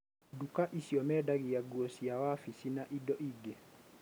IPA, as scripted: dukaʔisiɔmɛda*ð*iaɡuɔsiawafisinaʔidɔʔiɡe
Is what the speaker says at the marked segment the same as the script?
no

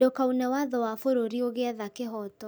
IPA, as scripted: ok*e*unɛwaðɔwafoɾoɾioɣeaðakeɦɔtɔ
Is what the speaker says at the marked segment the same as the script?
no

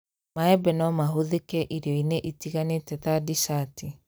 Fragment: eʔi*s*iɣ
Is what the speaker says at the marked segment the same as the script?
no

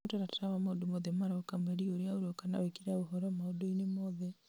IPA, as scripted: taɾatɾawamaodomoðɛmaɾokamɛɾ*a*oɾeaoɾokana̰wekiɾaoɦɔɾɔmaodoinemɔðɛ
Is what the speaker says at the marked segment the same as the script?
no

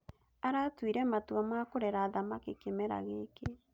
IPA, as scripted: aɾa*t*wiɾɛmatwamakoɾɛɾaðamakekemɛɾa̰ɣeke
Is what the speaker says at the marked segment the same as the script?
yes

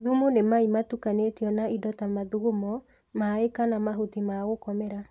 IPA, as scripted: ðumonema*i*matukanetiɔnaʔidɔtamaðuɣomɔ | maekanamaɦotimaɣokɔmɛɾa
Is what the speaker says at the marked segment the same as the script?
yes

